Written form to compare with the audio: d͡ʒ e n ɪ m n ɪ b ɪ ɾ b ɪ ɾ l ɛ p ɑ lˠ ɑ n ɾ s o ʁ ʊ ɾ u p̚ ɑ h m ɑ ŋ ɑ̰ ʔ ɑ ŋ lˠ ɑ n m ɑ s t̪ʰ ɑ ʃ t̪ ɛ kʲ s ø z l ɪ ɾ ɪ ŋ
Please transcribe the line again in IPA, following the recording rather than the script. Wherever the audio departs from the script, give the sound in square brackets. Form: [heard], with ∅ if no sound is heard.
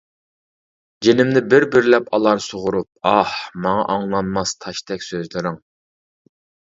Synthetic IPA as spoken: d͡ʒ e n ɪ m n ɪ b ɪ ɾ b ɪ ɾ l ɛ p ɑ lˠ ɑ [∅] ɾ s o ʁ ʊ ɾ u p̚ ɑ h m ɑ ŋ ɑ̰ ʔ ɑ ŋ lˠ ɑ n m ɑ s t̪ʰ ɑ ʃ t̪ ɛ kʲ s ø z l ɪ ɾ ɪ ŋ

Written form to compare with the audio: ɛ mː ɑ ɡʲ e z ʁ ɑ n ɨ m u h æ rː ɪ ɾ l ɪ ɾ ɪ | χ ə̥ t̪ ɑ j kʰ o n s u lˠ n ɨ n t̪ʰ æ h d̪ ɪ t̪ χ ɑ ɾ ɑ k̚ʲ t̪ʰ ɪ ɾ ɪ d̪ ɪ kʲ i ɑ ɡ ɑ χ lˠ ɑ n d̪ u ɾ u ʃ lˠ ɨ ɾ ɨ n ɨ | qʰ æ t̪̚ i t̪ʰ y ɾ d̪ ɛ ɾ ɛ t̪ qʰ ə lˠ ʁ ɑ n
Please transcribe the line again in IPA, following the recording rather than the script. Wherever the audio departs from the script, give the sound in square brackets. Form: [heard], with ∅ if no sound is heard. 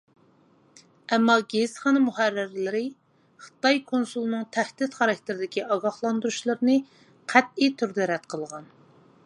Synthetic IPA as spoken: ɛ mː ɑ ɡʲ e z [χ] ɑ n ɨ m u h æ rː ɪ ɾ l ɪ ɾ ɪ | χ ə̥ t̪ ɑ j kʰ o n s u lˠ n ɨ [ŋ] t̪ʰ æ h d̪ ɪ t̪ χ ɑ ɾ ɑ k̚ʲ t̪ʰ ɪ ɾ ɪ d̪ ɪ kʲ i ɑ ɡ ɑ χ lˠ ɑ n d̪ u ɾ u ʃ lˠ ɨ ɾ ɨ n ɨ | qʰ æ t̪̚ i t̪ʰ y ɾ d̪ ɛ ɾ ɛ t̪ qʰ ə lˠ ʁ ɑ n

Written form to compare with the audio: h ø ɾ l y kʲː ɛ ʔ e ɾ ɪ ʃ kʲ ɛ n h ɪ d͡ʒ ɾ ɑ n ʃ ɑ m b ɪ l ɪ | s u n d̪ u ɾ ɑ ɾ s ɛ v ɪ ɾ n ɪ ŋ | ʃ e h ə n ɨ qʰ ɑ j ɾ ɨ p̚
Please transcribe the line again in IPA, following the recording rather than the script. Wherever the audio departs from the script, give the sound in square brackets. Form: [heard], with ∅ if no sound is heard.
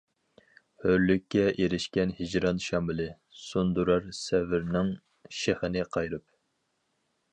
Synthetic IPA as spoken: h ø ɾ l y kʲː ɛ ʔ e ɾ ɪ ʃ kʲ ɛ n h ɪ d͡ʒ ɾ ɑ n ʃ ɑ m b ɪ l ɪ | s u n d̪ u ɾ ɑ ɾ s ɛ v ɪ ɾ n ɪ ŋ | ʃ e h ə n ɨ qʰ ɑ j ɾ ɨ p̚

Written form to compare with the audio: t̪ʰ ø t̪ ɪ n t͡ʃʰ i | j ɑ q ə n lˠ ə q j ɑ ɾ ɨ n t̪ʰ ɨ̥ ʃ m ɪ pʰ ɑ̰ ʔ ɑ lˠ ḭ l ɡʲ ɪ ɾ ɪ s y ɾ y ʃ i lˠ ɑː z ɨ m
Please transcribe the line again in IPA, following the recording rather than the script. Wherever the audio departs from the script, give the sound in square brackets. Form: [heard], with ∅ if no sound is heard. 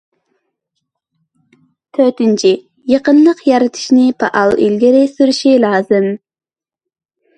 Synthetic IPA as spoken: t̪ʰ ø t̪ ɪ n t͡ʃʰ i | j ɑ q ə n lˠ ə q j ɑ ɾ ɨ [∅] t̪ʰ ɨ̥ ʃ [n] ɪ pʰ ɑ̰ ʔ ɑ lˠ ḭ l ɡʲ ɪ ɾ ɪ s y ɾ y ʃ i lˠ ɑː z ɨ m

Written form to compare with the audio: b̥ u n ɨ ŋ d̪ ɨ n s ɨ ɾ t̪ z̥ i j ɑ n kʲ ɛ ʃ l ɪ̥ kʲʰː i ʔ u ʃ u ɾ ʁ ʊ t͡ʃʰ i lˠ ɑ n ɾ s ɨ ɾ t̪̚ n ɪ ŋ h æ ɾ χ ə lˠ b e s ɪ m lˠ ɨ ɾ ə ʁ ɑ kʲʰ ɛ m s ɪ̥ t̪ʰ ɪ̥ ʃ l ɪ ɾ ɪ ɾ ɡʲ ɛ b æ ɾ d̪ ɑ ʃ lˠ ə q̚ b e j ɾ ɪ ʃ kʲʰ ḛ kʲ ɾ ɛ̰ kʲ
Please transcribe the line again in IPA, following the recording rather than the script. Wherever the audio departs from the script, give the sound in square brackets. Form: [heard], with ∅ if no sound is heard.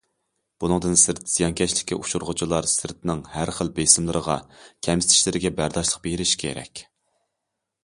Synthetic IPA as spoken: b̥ u n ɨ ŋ d̪ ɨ n s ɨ ɾ t̪ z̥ i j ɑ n kʲ ɛ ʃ l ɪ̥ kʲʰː i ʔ u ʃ u ɾ ʁ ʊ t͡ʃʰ i lˠ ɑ [∅] ɾ s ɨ ɾ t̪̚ n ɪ ŋ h æ ɾ χ ə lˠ b e s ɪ m lˠ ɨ ɾ ə ʁ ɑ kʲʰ ɛ m s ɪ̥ t̪ʰ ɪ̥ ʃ l ɪ ɾ ɪ [∅] ɡʲ ɛ b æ ɾ d̪ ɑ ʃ lˠ ə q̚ b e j ɾ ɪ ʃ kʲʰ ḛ [∅] ɾ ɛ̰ kʲ

